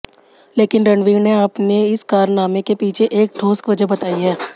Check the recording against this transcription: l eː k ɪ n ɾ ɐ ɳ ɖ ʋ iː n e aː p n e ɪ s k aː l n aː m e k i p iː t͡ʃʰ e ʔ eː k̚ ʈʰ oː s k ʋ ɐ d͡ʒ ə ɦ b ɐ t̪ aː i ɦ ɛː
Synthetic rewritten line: l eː k ɪ n ɾ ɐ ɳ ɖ ʋ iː n e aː p n e ɪ s k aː ɾ n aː m e k e p iː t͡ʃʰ e ʔ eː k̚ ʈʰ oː s k ʋ ɐ d͡ʒ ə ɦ b ɐ t̪ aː i ɦ ɛː